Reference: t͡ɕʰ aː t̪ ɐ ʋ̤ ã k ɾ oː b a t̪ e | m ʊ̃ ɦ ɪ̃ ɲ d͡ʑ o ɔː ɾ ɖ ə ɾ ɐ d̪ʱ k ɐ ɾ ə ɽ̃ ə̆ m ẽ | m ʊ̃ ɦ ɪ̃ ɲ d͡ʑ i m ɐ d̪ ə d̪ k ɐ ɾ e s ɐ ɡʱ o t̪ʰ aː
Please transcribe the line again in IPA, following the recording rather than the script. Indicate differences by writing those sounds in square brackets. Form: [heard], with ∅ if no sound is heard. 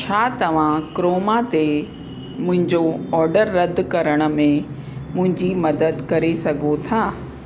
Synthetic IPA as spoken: t͡ɕʰ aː t̪ ɐ ʋ̤ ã k ɾ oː [m] a t̪ e | m ʊ̃ ɦ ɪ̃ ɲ d͡ʑ o ɔː ɾ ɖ ə [ɾː] ɐ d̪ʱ k ɐ ɾ ə ɽ̃ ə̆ m ẽ | m ʊ̃ ɦ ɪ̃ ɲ d͡ʑ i m ɐ d̪ ə d̪ k ɐ ɾ e s ɐ ɡʱ o t̪ʰ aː